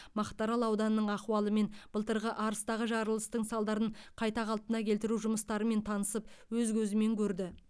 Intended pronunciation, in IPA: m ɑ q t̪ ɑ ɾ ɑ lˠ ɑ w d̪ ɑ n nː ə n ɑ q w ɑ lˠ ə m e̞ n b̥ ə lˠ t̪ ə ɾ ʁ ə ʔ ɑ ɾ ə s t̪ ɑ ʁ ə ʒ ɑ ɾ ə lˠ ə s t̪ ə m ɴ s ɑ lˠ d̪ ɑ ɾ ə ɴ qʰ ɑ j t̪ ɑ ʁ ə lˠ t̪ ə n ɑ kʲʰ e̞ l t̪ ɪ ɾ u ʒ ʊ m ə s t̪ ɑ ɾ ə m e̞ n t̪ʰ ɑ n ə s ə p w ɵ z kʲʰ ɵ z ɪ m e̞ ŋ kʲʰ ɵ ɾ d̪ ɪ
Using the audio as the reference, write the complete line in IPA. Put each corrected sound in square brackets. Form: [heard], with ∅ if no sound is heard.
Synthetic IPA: m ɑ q t̪ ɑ ɾ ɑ lˠ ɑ w d̪ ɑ n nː ə [ɴ] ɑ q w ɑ lˠ ə m e̞ n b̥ ə lˠ t̪ ə ɾ ʁ ə ʔ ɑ ɾ ə s t̪ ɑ ʁ ə ʒ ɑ ɾ ə lˠ ə s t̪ ə [∅] ɴ s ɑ lˠ d̪ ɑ ɾ ə ɴ qʰ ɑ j t̪ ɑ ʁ [ɑ] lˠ t̪ ə n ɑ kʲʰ e̞ l t̪ ɪ ɾ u ʒ ʊ m ə s t̪ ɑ ɾ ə m e̞ n t̪ʰ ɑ n ə s ə p w ɵ z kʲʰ ɵ z ɪ m e̞ ŋ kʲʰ ɵ ɾ d̪ ɪ

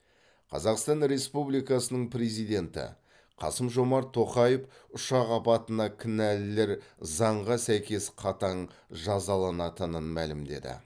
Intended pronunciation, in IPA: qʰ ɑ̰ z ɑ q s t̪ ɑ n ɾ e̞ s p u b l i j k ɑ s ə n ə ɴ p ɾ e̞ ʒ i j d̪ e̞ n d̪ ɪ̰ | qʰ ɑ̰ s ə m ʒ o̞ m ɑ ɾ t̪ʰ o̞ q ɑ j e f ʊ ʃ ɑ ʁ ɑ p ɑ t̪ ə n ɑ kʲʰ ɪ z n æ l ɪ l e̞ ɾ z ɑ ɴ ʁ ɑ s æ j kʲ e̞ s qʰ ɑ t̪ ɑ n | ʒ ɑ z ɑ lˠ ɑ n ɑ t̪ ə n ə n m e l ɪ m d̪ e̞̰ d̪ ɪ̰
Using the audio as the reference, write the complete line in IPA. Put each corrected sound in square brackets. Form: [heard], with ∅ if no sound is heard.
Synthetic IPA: qʰ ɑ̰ z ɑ q s t̪ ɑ n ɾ e̞ s p u b l i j k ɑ s ə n ə ɴ p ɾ e̞ [z] i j d̪ e̞ n [t̪] ɪ̰ | qʰ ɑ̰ s ə m ʒ o̞ m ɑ ɾ t̪ʰ o̞ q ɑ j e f ʊ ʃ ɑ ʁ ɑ p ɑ t̪ ə n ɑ kʲʰ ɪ [∅] n æ l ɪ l e̞ ɾ z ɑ ɴ ʁ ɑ s æ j kʲ e̞ s qʰ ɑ t̪ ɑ [ɴ] | ʒ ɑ z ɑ lˠ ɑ n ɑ t̪ ə n ə n m [æ] l ɪ m d̪ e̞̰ d̪ ɪ̰

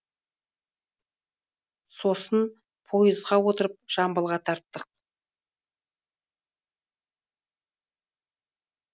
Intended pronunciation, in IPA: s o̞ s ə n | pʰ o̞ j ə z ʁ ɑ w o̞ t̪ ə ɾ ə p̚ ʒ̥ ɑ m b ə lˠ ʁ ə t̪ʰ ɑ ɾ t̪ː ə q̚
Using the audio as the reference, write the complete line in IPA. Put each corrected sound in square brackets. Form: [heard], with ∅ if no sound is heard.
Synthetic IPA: s o̞ s ə n | pʰ o̞ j ə z ʁ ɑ w o̞ t̪ ə ɾ ə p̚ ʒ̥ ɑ m b ə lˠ ʁ [ɑ] t̪ʰ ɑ ɾ t̪ː ə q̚

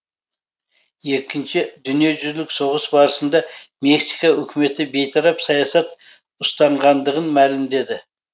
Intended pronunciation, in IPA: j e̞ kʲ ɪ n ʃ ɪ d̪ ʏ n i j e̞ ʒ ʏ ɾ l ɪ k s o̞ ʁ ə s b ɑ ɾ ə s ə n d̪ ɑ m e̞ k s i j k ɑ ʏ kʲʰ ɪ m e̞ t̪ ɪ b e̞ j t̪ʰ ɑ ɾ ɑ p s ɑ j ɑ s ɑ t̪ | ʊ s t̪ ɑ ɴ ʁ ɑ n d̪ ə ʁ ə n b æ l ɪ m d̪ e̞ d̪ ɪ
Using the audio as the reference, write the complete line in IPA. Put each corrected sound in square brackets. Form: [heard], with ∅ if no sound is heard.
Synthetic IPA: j e̞ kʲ ɪ n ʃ ɪ d̪ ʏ n i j e̞ ʒ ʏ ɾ l ɪ k s o̞ ʁ ə s b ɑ ɾ ə s ə n d̪ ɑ m e̞ k s i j k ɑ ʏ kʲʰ ɪ m e̞ t̪ ɪ b e̞ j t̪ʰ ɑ ɾ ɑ p s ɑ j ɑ s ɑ t̪ | ʊ s t̪ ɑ ɴ ʁ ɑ n d̪ ə ʁ ə n [m] æ l ɪ m d̪ e̞ d̪ ɪ

